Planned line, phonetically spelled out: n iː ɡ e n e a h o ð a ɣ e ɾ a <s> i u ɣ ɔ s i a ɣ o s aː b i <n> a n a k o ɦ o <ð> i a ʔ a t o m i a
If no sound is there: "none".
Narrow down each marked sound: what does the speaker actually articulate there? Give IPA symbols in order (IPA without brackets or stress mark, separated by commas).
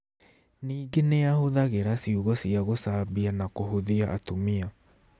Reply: s, none, ð